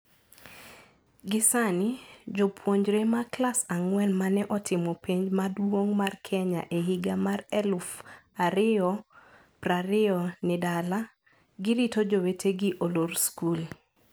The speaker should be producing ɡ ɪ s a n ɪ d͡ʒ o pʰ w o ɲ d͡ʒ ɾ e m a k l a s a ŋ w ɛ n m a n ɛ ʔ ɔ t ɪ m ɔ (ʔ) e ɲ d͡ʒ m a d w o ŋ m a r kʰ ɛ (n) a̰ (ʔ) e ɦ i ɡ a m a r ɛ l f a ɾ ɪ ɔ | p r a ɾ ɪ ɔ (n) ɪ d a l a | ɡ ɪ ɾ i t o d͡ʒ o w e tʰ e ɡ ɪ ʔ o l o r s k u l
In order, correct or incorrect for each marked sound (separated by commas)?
incorrect, incorrect, correct, correct